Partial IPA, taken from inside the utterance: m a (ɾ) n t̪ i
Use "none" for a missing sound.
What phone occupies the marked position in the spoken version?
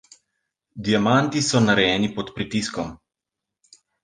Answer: none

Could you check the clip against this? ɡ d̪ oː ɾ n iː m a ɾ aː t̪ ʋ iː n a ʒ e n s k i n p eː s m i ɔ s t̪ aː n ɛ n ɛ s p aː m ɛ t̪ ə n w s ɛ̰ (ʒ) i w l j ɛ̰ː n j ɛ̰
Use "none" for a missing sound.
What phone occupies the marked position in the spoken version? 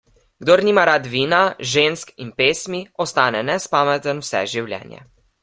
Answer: ʒ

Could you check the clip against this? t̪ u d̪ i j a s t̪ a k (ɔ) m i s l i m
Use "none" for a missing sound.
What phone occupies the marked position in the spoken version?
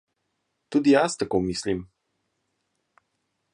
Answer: o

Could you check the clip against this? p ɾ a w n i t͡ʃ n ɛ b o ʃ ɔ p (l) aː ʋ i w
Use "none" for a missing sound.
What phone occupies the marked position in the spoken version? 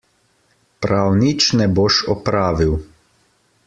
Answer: ɾ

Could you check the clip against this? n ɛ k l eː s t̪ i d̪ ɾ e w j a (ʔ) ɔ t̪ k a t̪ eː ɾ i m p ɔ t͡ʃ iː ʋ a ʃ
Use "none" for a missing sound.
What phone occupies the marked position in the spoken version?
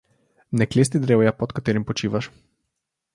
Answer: p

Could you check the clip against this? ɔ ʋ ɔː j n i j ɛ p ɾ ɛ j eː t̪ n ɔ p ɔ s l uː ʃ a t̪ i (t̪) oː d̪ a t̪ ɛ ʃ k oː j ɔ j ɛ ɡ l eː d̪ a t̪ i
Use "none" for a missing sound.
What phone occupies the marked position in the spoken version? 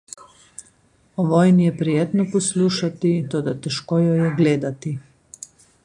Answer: t̪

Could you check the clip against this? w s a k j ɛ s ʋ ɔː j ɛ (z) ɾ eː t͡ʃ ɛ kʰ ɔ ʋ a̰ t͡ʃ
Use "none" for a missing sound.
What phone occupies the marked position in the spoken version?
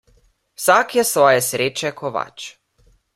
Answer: s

